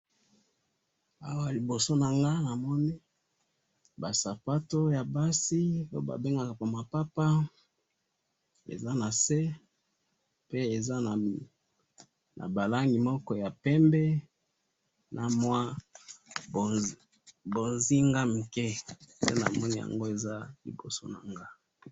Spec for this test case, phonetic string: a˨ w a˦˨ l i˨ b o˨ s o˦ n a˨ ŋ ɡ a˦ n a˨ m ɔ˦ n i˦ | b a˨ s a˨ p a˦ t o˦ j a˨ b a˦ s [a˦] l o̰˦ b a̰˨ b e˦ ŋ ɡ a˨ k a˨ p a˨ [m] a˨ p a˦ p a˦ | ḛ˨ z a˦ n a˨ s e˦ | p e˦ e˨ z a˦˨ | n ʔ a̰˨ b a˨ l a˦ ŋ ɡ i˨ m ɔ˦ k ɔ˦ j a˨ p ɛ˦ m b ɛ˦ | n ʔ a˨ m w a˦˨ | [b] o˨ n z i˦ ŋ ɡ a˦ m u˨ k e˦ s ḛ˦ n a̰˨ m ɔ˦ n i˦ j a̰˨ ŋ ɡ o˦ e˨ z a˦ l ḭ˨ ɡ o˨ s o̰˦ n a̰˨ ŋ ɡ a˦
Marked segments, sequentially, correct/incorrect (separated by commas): incorrect, correct, correct